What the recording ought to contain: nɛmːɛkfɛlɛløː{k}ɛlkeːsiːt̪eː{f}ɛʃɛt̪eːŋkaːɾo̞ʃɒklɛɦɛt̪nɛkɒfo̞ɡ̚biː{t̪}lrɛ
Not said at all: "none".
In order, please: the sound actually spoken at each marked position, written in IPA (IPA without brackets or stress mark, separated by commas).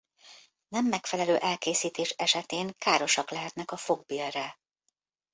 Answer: ʔ, ʃ, none